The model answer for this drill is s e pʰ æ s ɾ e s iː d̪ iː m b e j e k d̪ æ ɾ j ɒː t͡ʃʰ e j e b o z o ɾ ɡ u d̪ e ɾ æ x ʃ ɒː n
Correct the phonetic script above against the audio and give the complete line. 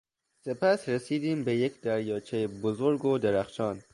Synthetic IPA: s e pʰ æ s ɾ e s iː d̪ iː m b e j e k d̪ æ ɾ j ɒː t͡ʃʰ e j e b o z o ɾ ɡ o d̪ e ɾ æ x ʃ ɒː n